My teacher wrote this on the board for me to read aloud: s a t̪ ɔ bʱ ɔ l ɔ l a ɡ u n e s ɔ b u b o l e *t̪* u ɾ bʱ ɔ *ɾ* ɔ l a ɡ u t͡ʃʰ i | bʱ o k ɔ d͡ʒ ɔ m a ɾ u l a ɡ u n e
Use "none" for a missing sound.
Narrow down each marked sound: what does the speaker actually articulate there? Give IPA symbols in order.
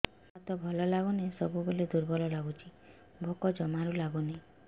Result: d̪, l

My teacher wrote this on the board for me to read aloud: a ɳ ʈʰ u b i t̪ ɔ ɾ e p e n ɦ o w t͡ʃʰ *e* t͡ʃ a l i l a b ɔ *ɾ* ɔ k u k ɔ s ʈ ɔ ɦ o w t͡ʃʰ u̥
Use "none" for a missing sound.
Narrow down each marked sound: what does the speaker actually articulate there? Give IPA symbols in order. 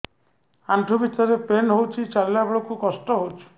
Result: i, ɭ

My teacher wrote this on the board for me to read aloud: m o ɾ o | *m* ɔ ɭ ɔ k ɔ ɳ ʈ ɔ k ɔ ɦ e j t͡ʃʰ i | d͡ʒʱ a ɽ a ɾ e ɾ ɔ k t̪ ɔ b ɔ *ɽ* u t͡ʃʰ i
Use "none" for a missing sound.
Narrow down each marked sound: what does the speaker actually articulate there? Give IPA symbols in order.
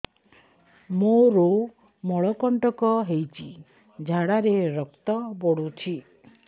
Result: m, ɽ

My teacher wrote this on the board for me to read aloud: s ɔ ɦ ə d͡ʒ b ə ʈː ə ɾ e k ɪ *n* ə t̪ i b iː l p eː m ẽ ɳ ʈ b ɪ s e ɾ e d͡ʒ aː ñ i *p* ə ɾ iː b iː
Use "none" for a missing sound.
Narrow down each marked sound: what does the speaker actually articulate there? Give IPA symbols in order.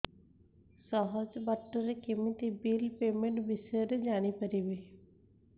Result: m, p

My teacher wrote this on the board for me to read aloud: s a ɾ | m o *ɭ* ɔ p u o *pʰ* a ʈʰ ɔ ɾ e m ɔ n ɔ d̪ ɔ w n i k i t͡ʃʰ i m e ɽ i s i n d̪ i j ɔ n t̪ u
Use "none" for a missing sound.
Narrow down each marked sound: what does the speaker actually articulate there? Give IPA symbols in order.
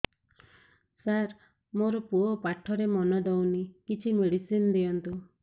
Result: ɾ, p

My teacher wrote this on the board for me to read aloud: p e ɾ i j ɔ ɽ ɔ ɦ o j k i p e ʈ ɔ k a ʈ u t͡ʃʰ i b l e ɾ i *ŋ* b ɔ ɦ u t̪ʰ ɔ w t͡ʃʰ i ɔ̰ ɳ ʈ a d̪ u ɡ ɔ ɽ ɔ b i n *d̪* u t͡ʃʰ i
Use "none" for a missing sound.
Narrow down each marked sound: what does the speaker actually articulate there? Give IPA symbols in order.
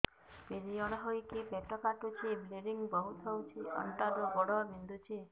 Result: ŋ, d̪

